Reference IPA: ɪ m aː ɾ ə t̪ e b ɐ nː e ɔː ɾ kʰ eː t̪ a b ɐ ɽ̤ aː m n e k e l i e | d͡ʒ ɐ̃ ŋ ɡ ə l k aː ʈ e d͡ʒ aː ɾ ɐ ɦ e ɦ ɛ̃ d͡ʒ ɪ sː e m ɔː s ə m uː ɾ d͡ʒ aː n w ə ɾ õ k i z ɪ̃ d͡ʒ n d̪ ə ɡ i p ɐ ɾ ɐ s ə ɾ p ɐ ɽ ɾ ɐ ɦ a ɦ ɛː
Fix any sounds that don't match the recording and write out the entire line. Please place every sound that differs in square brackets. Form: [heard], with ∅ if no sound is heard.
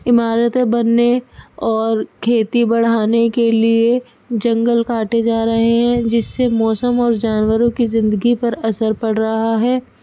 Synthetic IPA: ɪ m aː ɾ ə t̪ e b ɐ nː e ɔː ɾ kʰ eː t̪ [i] b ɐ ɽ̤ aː [∅] n e k e l i e | d͡ʒ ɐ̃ ŋ ɡ ə l k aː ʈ e d͡ʒ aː ɾ ɐ ɦ e ɦ ɛ̃ d͡ʒ ɪ sː e m ɔː s ə m [ɔː] ɾ d͡ʒ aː n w ə ɾ õ k i z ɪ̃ [∅] n d̪ ə ɡ i p ɐ ɾ ɐ s ə ɾ p ɐ ɽ ɾ ɐ ɦ a ɦ ɛː